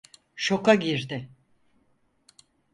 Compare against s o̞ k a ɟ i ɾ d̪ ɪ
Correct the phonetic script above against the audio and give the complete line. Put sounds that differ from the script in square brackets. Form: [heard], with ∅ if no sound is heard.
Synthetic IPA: [ʃ] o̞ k a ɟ i ɾ d̪ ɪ